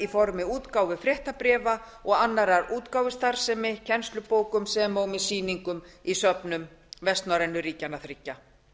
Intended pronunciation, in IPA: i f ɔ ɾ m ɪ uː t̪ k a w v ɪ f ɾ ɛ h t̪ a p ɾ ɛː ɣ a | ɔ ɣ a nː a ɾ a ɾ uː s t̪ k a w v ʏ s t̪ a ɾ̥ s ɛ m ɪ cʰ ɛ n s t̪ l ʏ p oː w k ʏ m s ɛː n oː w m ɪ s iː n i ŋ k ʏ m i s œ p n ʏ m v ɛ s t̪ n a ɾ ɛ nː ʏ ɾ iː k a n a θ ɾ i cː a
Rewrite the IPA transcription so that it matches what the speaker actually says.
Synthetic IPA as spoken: i f ɔ ɾ m ɪ uː t̪ k a w v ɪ f ɾ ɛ h t̪ a p ɾ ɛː v a | ɔ ɣ a nː a ɾ a ɾ uː t̪ k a w v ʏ s t̪ a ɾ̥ s ɛ m ɪ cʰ ɛ n s t̪ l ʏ p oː w k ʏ m s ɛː m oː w m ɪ s iː n i ŋ k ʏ m i s œ p n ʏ m v ɛ s t̪ n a ɾ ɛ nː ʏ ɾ iː c a n a θ ɾ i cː a